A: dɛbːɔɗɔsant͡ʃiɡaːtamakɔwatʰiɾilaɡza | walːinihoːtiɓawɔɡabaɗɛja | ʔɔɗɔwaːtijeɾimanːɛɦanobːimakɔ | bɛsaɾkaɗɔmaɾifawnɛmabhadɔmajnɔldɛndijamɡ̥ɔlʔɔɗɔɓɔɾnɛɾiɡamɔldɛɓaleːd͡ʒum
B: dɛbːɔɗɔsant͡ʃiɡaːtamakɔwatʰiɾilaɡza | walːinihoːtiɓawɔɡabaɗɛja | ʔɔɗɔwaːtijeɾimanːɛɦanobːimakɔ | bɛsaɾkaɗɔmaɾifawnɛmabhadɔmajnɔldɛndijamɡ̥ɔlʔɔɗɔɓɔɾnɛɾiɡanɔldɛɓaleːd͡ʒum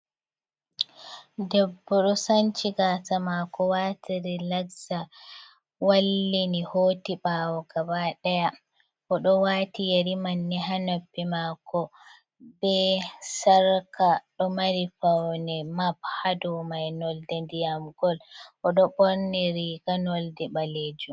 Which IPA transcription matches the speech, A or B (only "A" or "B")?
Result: B